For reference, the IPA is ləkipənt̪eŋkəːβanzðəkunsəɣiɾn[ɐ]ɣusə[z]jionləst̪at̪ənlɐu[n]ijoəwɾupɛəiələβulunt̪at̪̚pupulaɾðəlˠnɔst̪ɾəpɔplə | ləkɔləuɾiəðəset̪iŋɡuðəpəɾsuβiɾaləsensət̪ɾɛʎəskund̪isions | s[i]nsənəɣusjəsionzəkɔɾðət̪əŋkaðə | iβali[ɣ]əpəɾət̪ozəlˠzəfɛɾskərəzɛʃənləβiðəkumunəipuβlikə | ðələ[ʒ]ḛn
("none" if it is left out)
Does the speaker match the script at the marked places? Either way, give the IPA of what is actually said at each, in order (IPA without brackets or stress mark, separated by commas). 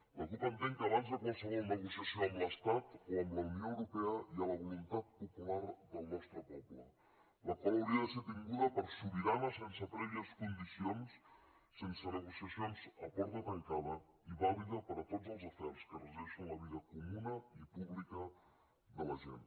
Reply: ə, s, n, e, ð, ʒ